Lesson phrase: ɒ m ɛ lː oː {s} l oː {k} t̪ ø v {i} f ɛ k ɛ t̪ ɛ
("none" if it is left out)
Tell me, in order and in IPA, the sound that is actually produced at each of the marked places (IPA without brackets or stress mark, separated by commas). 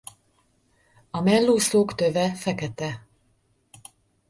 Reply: s, k, ɛ